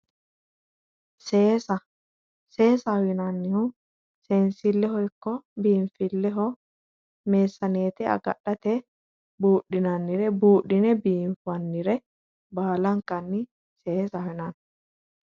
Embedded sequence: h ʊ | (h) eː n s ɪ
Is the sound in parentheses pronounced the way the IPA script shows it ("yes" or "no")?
no